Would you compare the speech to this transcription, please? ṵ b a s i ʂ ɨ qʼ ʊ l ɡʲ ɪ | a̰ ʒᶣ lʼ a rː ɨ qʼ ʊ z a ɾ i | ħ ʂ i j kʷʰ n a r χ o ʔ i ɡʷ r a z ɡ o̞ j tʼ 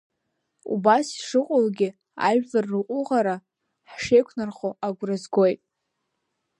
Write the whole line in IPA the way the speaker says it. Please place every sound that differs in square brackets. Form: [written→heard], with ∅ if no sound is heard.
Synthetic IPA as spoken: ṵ b a s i ʂ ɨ qʼ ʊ l ɡʲ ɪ | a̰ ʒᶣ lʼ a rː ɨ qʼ ʊ [z→ʁ] a ɾ [i→a] | ħ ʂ [i→e] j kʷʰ n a r χ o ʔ [i→a] ɡʷ r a z ɡ o̞ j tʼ